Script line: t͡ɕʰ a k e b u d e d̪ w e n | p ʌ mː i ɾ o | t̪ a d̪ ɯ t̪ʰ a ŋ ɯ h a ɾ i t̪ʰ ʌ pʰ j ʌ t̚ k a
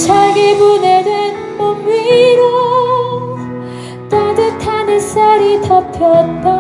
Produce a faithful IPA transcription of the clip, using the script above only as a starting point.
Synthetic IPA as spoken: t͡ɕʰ a ɡ e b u n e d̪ w e n | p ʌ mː i ɾ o | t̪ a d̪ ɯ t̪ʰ a n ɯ s a ɾ i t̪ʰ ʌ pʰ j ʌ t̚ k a